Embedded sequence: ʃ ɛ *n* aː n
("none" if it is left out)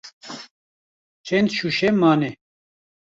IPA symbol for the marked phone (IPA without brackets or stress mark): m